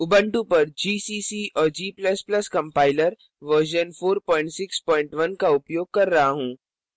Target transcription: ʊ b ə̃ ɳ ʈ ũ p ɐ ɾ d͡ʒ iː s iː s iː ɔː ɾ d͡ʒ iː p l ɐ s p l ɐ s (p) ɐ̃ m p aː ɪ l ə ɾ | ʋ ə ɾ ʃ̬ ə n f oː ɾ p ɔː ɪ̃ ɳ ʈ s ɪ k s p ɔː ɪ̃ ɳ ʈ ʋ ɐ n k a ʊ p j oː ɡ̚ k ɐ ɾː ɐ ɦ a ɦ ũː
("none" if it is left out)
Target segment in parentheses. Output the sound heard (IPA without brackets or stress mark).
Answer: k